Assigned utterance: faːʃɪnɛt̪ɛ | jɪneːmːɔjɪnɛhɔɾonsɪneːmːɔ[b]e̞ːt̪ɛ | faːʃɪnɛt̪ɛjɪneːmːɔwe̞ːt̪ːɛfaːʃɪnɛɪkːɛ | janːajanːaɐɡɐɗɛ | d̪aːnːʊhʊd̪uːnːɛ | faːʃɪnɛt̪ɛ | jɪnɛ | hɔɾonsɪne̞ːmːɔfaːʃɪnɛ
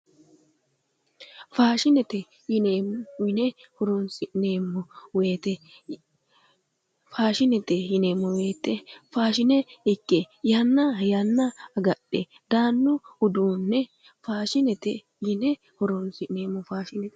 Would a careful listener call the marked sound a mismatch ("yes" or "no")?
yes